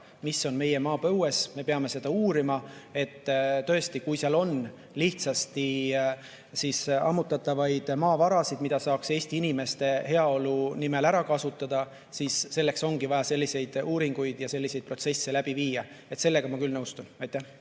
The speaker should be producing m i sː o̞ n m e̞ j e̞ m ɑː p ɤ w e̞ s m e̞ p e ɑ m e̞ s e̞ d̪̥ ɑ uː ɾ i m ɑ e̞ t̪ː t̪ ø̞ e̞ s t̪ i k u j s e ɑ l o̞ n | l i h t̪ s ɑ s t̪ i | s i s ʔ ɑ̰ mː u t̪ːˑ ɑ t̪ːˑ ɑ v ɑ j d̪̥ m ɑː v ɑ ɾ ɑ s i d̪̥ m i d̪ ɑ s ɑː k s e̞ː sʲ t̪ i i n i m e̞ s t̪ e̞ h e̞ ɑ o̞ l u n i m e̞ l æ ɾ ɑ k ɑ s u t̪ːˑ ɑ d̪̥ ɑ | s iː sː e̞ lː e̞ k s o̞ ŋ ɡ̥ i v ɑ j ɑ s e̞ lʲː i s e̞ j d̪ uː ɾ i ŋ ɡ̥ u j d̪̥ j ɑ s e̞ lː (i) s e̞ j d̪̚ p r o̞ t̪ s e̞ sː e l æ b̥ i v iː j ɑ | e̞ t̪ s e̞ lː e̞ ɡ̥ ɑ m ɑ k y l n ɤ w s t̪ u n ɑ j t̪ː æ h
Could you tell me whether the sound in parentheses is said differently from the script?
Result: no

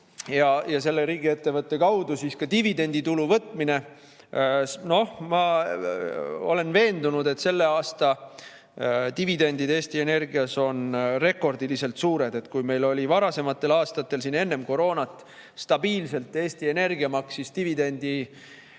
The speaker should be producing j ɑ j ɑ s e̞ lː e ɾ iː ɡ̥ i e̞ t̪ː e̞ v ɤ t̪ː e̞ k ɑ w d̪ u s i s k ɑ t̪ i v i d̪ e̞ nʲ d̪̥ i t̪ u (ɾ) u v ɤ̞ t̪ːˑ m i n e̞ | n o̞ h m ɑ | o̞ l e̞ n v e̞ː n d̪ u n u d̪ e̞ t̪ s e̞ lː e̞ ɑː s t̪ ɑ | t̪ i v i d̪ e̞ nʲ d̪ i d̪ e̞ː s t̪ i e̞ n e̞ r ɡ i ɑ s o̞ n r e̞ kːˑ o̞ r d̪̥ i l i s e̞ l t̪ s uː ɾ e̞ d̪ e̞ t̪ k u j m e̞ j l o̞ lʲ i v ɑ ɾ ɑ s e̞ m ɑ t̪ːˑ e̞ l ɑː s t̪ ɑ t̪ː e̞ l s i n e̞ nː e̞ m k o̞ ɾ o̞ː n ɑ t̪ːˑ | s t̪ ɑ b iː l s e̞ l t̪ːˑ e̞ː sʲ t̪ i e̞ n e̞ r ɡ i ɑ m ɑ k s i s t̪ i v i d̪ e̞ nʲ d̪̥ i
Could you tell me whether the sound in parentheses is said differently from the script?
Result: yes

